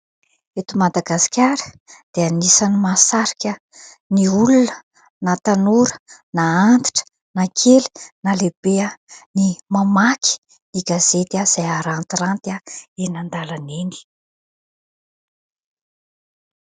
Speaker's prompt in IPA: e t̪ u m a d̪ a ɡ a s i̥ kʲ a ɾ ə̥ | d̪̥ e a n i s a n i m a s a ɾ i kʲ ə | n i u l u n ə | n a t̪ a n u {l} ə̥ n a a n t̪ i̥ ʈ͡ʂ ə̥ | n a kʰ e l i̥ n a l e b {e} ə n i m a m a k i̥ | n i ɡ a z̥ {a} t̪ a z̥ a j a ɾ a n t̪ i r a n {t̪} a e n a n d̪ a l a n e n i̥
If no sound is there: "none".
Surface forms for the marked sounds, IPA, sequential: ɾ, e, e, t̪

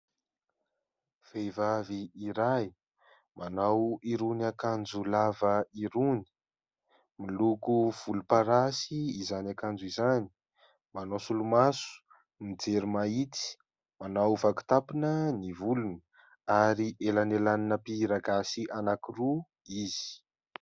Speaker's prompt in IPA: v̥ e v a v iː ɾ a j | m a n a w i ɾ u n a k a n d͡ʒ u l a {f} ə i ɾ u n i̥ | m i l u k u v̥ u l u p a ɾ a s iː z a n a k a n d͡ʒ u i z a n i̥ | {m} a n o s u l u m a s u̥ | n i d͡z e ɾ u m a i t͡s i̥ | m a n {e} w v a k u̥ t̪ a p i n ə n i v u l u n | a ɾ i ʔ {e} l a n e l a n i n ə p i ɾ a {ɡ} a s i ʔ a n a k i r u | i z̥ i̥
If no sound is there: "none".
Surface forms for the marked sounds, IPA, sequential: v, m, a, e, ɡ

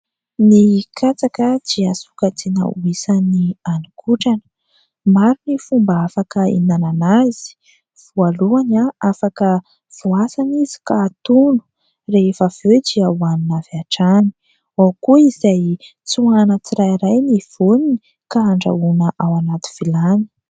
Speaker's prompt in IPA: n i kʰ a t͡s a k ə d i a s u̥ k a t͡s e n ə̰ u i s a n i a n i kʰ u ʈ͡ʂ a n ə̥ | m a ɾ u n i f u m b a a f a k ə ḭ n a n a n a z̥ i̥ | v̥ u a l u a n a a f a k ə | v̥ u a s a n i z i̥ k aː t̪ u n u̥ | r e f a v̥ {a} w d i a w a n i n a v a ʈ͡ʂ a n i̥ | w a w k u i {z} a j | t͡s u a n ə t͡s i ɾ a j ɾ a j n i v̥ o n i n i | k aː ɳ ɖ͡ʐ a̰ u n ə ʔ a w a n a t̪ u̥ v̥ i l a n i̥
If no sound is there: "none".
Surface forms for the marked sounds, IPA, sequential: e, z

